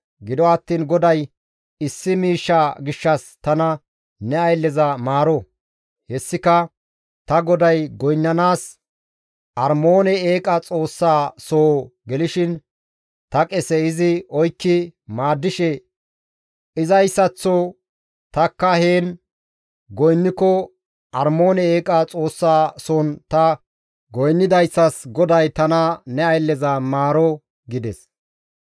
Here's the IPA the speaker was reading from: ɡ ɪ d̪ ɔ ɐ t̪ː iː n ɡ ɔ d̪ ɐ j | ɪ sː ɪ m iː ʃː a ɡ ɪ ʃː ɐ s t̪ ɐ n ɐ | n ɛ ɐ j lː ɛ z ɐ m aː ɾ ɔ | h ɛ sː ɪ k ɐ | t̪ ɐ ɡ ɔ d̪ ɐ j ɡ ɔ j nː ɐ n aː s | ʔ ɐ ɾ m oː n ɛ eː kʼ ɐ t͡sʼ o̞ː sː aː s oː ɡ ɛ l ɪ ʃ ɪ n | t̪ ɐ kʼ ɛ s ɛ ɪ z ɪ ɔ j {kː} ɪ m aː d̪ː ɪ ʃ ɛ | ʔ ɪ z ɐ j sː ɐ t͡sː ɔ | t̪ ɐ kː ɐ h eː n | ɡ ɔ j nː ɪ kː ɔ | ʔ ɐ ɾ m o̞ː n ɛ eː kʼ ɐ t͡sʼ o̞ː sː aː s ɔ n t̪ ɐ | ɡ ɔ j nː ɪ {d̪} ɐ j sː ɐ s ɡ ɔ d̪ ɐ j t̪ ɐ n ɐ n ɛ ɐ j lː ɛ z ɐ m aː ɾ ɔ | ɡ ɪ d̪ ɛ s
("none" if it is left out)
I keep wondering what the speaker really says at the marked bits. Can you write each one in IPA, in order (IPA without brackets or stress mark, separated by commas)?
kː, d̪